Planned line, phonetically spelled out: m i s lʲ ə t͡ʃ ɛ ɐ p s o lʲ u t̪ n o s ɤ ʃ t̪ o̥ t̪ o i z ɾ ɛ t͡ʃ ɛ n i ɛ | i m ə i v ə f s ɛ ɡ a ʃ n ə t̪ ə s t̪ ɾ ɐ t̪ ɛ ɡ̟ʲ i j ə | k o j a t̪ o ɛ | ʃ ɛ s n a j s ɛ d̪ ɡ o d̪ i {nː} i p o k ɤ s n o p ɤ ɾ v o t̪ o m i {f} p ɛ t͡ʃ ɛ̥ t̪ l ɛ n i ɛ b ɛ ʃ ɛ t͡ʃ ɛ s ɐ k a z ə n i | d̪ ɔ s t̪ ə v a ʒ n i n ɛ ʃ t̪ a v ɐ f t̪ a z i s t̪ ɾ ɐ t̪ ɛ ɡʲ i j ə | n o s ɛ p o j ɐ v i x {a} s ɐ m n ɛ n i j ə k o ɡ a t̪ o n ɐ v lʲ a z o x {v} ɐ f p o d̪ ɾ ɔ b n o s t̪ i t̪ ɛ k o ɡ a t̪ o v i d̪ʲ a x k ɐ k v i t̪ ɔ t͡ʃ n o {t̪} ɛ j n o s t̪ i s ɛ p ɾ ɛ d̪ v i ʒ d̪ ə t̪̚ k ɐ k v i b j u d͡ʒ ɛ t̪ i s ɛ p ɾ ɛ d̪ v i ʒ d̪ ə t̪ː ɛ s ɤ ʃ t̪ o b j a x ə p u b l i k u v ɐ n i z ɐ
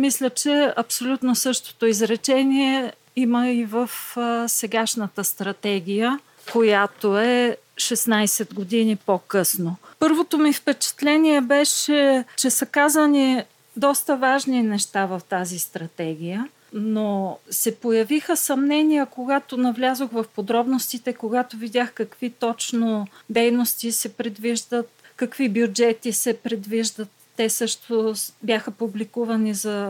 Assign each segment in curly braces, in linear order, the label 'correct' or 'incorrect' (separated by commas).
incorrect, correct, incorrect, correct, incorrect